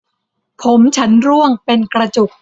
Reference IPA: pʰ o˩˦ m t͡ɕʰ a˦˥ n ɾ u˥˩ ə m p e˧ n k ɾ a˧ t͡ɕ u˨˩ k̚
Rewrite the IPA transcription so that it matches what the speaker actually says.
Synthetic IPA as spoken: pʰ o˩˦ m t͡ɕʰ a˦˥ n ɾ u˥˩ ə ŋ p e˧ n k ɾ a˧ t͡ɕ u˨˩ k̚